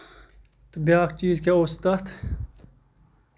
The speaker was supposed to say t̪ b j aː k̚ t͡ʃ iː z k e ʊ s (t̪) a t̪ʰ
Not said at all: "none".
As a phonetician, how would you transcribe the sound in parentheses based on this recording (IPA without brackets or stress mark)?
t̪